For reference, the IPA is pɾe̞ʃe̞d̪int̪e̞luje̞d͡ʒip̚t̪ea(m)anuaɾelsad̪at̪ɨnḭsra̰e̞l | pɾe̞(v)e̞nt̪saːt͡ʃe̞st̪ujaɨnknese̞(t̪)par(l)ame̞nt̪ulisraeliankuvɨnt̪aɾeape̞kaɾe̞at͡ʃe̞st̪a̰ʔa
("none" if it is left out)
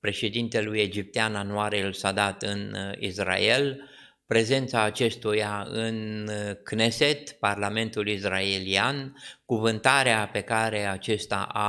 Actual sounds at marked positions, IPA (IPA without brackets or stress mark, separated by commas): n, z, t̪, l